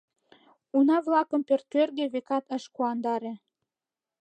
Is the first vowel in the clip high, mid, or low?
high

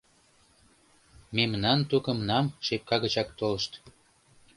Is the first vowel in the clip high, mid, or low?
mid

